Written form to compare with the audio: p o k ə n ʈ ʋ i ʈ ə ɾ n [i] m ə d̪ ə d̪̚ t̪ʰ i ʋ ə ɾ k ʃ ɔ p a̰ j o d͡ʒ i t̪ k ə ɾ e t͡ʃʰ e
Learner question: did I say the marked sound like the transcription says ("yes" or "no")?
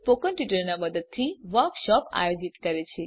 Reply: no